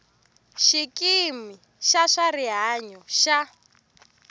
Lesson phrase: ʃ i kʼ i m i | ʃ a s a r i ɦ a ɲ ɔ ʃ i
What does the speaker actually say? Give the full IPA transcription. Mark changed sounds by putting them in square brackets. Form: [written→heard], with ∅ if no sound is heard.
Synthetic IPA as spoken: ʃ i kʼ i m i | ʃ a [s→ʂ] a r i ɦ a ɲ ɔ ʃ [i→a]